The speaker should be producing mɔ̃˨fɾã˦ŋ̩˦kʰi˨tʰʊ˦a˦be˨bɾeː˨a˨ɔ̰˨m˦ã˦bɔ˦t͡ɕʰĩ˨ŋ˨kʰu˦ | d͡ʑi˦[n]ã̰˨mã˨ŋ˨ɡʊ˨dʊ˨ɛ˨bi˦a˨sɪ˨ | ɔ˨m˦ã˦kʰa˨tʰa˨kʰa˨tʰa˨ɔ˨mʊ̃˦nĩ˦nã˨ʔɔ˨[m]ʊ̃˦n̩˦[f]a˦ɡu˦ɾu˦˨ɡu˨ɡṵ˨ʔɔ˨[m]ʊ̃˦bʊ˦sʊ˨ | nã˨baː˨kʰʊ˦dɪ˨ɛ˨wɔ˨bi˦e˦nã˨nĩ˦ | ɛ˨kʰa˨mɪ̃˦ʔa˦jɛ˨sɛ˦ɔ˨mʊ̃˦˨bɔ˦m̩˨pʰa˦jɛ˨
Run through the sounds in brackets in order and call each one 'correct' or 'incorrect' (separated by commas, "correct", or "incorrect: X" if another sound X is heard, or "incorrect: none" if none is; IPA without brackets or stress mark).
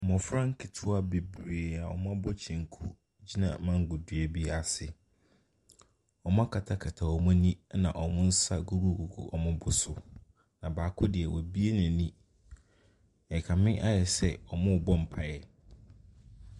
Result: correct, correct, incorrect: s, correct